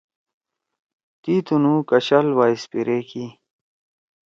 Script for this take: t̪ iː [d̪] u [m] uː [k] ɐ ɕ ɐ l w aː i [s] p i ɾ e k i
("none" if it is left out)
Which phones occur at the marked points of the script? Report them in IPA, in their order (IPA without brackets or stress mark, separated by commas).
t̪, n, k, s